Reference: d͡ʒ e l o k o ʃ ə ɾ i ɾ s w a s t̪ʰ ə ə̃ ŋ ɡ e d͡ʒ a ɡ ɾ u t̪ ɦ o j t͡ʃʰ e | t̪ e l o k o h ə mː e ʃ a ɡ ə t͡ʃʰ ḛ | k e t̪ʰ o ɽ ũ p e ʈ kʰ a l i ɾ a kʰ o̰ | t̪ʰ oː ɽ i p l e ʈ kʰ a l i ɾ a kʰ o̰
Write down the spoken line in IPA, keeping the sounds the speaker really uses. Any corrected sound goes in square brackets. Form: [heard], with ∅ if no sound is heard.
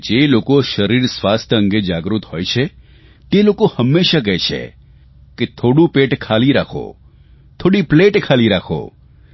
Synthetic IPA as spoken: d͡ʒ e l o k o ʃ ə ɾ i ɾ s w a s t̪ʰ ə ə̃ ŋ ɡ e d͡ʒ a ɡ ɾ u t̪ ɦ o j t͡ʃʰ e | t̪ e l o k o h ə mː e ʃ a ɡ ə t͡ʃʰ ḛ | k e t̪ʰ o ɽ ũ p e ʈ kʰ a l i ɾ a kʰ o̰ | t̪ʰ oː ɽ i p l e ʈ kʰ a l i ɾ a kʰ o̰